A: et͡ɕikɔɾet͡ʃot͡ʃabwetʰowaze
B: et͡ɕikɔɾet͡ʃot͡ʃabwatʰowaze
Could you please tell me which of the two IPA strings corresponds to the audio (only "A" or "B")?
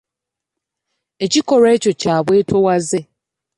A